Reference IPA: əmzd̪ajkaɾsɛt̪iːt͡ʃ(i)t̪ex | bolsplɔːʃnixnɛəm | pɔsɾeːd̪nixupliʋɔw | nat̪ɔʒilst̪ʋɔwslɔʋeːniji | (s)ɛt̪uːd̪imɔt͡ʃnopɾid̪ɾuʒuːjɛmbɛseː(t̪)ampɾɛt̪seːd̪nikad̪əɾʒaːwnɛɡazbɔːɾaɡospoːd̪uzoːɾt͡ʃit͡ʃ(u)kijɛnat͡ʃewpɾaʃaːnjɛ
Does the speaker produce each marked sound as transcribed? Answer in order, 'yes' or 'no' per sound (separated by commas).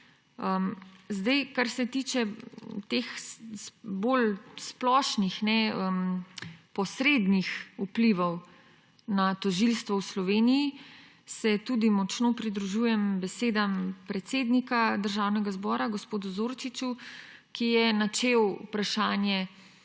no, yes, no, yes